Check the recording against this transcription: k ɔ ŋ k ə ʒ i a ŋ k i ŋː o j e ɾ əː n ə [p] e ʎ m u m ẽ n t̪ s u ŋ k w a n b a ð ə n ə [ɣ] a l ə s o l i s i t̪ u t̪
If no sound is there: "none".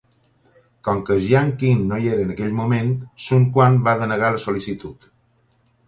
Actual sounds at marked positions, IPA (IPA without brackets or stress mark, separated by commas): k, ɣ